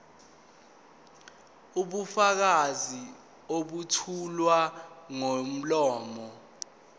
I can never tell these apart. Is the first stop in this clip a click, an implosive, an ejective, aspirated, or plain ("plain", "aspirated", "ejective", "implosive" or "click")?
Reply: implosive